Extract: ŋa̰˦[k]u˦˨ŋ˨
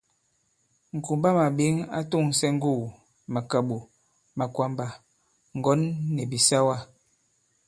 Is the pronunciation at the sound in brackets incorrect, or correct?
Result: incorrect